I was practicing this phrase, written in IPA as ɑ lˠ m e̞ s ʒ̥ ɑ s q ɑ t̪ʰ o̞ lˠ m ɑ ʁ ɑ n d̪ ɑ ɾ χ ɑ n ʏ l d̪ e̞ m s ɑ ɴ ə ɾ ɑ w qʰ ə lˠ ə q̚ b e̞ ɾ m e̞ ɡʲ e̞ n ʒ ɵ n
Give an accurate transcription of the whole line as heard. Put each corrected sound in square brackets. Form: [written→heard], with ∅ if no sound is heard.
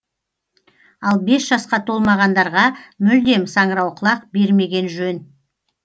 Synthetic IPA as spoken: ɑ lˠ [m→b] e̞ s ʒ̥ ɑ s q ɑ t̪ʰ o̞ lˠ m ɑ ʁ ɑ n d̪ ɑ ɾ [χ→ʁ] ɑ [n→m] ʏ l d̪ e̞ m s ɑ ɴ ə ɾ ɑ w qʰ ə lˠ [ə→ɑ] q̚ b e̞ ɾ m e̞ ɡʲ e̞ n ʒ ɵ n